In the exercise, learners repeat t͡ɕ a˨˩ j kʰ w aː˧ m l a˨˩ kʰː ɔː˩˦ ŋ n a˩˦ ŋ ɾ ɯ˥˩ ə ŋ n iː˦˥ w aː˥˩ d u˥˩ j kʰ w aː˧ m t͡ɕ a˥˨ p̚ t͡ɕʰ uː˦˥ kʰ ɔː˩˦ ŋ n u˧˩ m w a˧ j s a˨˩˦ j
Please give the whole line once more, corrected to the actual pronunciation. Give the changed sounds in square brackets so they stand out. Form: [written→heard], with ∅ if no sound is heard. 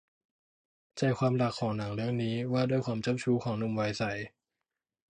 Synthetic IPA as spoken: t͡ɕ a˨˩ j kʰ w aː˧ m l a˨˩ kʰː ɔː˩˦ ŋ n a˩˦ ŋ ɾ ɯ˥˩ ə ŋ n iː˦˥ w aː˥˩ d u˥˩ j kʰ w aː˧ m t͡ɕ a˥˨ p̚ t͡ɕʰ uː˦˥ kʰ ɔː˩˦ ŋ n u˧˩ m w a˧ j s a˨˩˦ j